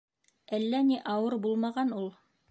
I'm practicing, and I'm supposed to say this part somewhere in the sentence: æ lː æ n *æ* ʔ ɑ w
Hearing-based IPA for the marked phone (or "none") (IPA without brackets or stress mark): i